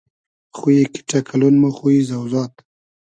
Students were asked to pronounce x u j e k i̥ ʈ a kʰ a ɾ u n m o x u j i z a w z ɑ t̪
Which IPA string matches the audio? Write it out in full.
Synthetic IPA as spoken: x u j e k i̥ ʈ a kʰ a l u n m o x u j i z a w z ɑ t̪

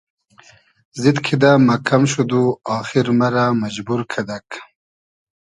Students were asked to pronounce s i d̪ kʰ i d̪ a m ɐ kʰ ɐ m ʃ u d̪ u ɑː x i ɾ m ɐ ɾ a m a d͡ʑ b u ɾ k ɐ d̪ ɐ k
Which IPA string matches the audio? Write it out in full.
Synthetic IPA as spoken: z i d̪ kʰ i d̪ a m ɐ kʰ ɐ m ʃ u d̪ u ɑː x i ɾ m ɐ ɾ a m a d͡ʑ b u ɾ kʰ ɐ d̪ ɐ k

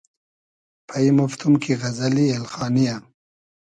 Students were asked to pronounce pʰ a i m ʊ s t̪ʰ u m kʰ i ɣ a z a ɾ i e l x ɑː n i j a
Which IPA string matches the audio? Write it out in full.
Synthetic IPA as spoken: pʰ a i m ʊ f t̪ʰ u m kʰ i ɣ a z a l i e l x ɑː n i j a

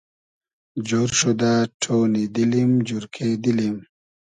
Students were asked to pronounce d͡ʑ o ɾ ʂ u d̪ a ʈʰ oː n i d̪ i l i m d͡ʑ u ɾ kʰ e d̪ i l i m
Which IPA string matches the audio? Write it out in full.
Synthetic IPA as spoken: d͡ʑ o ɾ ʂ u d̪ a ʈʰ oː n i d̪ i l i m d͡ʑ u ɾ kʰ e d̪ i l i m

